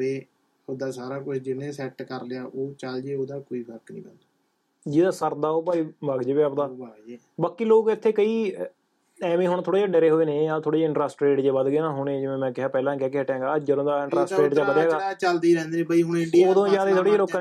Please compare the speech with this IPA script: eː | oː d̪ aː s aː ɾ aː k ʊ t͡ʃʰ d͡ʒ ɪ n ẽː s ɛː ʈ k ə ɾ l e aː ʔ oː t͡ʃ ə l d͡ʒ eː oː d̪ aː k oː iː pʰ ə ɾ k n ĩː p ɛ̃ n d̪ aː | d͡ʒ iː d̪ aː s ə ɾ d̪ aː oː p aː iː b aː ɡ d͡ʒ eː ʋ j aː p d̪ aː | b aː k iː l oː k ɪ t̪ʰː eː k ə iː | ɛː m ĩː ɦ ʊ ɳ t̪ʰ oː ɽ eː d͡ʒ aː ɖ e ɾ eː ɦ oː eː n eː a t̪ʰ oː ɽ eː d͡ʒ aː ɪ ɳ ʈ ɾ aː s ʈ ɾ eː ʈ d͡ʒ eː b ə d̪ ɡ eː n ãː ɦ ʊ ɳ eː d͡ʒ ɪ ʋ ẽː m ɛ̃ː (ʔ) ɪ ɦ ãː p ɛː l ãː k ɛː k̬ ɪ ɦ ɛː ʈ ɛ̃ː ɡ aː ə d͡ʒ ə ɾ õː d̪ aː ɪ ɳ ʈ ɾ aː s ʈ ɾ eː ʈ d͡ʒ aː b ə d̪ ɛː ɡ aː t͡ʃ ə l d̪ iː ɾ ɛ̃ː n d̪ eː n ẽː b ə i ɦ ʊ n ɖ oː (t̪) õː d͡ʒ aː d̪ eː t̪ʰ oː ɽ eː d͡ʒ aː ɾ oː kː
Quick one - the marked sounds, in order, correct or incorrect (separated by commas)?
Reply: incorrect, incorrect